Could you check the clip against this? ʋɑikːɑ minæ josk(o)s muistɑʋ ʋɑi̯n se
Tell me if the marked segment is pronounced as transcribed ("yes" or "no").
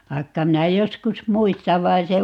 no